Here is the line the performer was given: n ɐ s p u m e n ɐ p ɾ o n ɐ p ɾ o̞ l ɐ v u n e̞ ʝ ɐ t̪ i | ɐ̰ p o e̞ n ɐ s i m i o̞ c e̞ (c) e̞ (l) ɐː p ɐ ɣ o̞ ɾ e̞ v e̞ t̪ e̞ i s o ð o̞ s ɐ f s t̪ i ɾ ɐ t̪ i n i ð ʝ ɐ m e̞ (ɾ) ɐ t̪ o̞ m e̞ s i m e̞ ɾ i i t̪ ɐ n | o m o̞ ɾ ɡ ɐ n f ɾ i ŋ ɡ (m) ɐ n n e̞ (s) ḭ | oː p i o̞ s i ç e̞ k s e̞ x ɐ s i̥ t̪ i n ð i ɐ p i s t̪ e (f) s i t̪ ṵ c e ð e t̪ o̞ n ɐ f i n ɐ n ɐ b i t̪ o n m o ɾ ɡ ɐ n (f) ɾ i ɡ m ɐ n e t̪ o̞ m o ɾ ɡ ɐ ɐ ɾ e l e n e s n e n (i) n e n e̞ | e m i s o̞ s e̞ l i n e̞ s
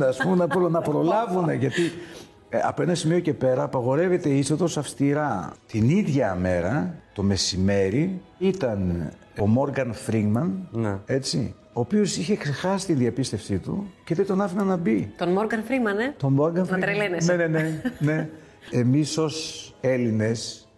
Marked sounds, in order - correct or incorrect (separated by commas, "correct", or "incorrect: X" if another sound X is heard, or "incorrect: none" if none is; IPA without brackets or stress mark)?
incorrect: p, incorrect: ɾ, correct, correct, incorrect: t͡s, correct, correct, incorrect: e